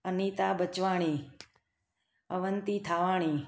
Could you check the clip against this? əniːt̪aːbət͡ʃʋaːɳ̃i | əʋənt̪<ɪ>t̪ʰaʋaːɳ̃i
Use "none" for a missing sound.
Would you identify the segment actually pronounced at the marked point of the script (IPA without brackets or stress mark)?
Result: i